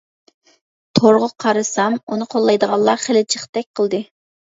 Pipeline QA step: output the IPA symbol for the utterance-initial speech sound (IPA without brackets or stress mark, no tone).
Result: t̪ʰ